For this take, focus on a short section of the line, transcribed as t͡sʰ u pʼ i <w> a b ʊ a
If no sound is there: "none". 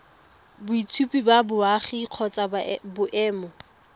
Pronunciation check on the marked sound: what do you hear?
b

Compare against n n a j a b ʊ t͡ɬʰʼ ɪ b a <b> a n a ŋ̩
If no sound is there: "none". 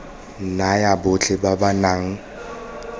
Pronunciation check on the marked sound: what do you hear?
b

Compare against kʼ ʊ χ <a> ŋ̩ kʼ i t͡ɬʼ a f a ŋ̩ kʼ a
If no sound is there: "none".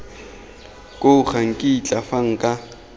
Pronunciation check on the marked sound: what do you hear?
a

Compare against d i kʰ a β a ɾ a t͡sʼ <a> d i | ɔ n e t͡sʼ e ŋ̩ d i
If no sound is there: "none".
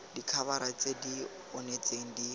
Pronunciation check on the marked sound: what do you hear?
e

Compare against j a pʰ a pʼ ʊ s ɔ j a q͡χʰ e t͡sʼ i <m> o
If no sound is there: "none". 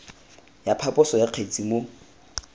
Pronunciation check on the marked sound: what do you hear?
m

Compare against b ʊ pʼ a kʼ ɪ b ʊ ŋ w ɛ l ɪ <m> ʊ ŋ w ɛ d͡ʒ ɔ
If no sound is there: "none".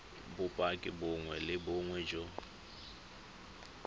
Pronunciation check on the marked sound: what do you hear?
b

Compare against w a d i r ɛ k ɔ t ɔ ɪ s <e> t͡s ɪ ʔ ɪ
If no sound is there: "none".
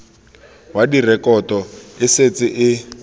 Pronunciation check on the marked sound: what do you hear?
e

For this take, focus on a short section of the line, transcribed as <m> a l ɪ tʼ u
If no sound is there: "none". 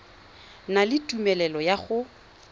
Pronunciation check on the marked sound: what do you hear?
n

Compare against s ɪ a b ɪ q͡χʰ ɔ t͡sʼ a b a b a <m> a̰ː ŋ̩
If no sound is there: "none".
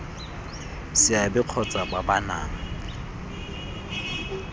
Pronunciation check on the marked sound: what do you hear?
n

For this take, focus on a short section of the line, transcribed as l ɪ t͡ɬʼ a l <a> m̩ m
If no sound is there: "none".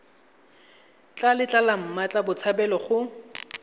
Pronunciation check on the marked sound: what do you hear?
a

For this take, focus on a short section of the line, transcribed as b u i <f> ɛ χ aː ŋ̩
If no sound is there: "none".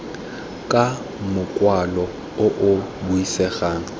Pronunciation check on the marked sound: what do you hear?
s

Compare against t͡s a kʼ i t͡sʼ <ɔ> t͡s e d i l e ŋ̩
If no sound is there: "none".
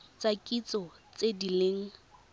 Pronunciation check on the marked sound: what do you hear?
ɔ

